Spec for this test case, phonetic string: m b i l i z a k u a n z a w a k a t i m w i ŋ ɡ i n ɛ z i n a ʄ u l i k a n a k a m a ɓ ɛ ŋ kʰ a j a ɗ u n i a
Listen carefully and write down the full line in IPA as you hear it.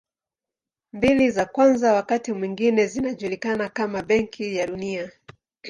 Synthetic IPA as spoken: m b i l i z a k w a n z a w a k a t i m w i ŋ ɡ i n ɛ z i n a ʄ u l i k a n a k a m a ɓ ɛ ŋ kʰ i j a ɗ u n i a

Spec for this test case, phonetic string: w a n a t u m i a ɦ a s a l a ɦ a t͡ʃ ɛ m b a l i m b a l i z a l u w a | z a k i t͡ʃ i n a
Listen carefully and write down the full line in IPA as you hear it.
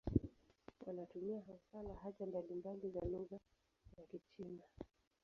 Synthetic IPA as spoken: w a n a t u m i a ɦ a s a l a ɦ a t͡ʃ a m b a l i m b a l i z a l u ɣ a | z a k i t͡ʃ i n a

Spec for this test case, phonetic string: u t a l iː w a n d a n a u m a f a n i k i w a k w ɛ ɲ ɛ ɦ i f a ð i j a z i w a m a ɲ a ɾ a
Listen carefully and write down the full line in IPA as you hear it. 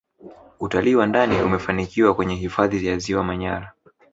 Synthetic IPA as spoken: u t a l iː w a n d a n i u m ɛ f a n i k i w a k w ɛ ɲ ɛ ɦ i f a ð i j a z i w a m a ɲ a ɾ a

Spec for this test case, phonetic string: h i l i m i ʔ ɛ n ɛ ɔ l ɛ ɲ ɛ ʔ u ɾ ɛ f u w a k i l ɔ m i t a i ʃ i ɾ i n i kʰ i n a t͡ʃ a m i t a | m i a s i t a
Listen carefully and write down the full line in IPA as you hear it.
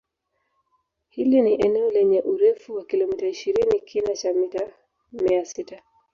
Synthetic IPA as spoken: h i l i n i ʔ ɛ n ɛ ɔ l ɛ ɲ ɛ ʔ u ɾ ɛ f u w a k i l ɔ m i t a i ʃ i ɾ i n i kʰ i n a t͡ʃ a m i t a | m i a s i t a

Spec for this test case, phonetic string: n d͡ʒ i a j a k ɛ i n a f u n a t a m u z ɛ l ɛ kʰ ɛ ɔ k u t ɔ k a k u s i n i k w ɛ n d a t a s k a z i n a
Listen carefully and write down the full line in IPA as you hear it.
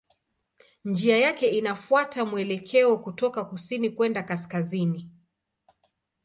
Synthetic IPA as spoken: n d͡ʒ i a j a k ɛ i n a f u a t a m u ɛ l ɛ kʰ ɛ ɔ k u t ɔ k a k u s i n i k w ɛ n d a k a s k a z i n i

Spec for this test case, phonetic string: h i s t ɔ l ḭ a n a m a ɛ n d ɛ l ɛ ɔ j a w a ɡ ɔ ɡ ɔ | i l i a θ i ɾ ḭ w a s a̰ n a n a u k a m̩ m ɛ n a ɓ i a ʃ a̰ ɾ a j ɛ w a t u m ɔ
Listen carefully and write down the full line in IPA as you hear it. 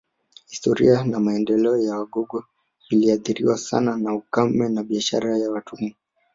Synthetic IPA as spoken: h i s t ɔ ɾ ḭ a n a m a ɛ n d ɛ l ɛ ɔ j a w a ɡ ɔ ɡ ɔ | i l i a θ i ɾ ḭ w a s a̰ n a n a u k a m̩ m ɛ n a ɓ i a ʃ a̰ ɾ a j a w a t u m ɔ

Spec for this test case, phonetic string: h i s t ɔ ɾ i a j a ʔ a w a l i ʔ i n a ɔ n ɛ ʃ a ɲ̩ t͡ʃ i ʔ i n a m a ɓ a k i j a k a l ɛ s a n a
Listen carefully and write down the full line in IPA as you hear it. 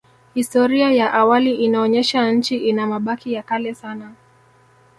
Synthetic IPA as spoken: h i s t ɔ ɾ i a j a ʔ a w a l i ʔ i n a ɔ ɲ ɛ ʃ a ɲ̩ t͡ʃ i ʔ i n a m a ɓ a k i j a k a l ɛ s a n a

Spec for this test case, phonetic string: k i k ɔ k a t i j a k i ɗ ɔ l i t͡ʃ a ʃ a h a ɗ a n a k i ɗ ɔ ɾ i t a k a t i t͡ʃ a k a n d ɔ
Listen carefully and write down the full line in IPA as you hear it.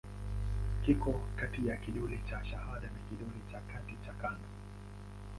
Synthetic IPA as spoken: k i k ɔ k a t i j a k i ɗ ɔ l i t͡ʃ a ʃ a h a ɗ a n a k i ɗ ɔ l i t͡ʃ a k a t i t͡ʃ a k a n d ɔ

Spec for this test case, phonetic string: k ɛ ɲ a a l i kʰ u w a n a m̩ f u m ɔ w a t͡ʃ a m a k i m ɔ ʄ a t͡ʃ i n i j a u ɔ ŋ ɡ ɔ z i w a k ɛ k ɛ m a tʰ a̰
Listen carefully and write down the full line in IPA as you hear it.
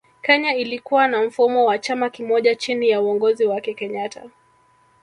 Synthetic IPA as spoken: k ɛ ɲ a i l i k u w a n a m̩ f u m ɔ w a t͡ʃ a m a k i m ɔ ʄ a t͡ʃ i n i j a u ɔ ŋ ɡ ɔ z i w a k ɛ k ɛ ɲ a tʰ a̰

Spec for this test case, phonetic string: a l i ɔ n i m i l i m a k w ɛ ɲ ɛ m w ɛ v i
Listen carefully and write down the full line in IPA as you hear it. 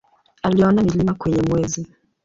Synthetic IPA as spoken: a l i ɔ n a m i l i m a k w ɛ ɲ ɛ m w ɛ z i

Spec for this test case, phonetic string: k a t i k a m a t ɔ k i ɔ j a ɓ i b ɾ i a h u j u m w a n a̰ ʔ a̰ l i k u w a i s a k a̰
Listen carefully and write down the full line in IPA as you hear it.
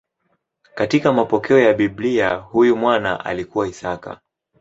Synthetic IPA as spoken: k a t i k a m a p ɔ k ɛ ɔ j a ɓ i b l i a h u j u m w a n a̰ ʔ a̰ l i k u w a i s a k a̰

